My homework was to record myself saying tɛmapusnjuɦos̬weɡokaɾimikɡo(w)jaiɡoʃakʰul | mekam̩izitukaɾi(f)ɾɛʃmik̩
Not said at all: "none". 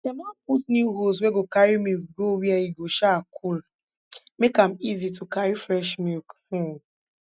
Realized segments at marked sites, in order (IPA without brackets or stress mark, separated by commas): w, f